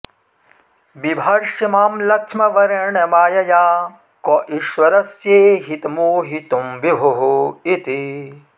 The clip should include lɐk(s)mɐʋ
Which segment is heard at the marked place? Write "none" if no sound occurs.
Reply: ʂ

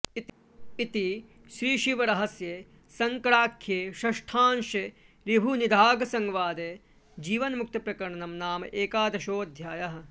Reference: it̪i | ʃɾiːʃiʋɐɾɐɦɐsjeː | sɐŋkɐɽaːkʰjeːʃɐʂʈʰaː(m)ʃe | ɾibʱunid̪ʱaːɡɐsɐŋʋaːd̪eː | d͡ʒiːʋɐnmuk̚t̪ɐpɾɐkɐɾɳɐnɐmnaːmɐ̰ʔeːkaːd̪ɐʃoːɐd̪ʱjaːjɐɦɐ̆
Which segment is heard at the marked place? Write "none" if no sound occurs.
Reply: n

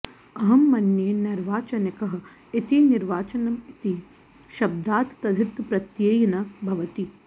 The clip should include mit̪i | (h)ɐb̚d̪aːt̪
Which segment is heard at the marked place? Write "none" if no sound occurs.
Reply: ʃ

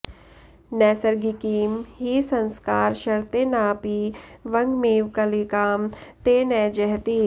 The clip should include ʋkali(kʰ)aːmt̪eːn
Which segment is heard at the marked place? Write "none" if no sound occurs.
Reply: k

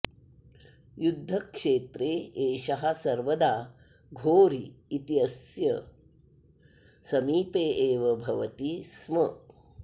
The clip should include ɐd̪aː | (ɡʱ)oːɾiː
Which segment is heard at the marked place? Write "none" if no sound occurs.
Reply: ɡʱ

